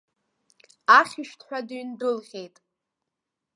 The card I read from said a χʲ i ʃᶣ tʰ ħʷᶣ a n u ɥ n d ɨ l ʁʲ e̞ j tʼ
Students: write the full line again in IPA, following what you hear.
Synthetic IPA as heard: a χʲ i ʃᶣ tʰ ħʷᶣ a d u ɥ n d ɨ l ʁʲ e̞ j tʼ